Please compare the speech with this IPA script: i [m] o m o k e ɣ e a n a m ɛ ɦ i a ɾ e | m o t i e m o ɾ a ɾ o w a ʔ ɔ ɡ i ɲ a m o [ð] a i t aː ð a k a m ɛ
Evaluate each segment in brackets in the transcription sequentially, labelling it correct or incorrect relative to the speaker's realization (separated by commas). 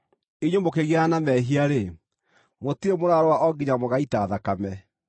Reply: incorrect, incorrect